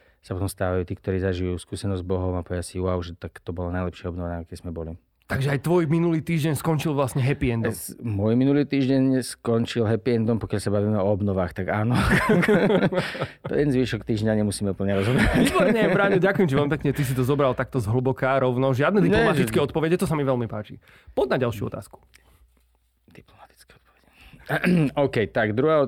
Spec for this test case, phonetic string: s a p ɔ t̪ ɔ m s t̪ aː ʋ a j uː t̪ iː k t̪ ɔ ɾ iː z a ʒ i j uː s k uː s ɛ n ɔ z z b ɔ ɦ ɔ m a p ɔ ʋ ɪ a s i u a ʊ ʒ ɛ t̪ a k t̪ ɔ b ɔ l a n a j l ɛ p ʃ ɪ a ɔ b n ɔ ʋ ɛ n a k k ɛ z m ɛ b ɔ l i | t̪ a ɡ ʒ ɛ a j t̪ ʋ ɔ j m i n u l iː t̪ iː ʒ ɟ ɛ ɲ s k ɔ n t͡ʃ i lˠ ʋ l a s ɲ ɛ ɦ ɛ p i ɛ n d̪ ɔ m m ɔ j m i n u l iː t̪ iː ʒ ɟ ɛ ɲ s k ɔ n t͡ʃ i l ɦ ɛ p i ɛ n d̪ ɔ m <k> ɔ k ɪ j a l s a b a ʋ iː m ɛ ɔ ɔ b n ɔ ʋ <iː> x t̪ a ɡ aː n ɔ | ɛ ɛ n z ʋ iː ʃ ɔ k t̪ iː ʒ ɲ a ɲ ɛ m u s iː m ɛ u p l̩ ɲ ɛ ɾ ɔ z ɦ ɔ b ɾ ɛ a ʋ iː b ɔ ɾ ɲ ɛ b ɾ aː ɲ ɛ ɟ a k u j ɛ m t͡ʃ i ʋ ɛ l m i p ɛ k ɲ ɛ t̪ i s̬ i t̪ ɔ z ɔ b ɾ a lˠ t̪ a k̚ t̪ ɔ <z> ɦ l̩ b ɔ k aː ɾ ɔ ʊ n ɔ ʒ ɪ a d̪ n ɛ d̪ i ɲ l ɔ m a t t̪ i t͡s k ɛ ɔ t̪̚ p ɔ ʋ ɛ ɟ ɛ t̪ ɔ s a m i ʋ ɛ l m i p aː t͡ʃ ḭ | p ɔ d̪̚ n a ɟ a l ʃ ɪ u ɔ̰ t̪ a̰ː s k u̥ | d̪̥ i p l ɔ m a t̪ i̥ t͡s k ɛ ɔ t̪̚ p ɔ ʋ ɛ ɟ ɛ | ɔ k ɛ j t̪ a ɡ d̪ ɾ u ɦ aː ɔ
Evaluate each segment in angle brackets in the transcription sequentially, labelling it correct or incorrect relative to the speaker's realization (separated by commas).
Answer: incorrect, incorrect, correct